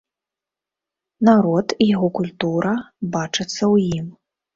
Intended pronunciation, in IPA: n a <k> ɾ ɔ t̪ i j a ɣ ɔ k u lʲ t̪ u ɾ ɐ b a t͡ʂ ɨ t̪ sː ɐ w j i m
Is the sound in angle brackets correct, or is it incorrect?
incorrect